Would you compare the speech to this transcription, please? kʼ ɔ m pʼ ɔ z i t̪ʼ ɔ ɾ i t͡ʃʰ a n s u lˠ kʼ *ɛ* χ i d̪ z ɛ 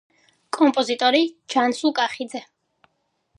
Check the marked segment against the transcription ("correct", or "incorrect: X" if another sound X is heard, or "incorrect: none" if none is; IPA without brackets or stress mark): incorrect: a